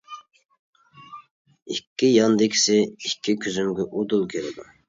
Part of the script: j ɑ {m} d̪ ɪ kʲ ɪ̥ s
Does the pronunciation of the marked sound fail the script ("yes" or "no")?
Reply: yes